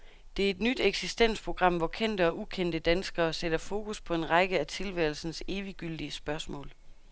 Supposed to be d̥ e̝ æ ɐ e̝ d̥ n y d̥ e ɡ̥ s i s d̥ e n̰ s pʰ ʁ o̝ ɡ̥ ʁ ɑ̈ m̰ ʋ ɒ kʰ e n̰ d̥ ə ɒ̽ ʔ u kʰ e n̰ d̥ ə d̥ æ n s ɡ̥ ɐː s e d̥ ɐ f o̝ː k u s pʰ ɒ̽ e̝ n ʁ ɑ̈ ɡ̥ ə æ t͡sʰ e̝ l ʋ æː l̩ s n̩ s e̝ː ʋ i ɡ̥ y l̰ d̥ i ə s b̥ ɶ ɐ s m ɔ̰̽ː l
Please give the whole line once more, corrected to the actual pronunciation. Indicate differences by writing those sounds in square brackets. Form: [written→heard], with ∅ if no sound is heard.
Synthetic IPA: d̥ e̝ æ ɐ e̝ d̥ n y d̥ e ɡ̥ s i s d̥ e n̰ s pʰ ʁ o̝ ɡ̥ ʁ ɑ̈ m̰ ʋ ɒ kʰ e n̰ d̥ ə ɒ̽ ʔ u kʰ e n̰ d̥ ə d̥ æ n s ɡ̥ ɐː s e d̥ ɐ f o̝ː k u s pʰ ɒ̽ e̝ n ʁ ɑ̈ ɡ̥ ə æ t͡sʰ e̝ l ʋ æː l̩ s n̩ s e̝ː ʋ i ɡ̥ y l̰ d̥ i ə s b̥ ɶ ɐ s m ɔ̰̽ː l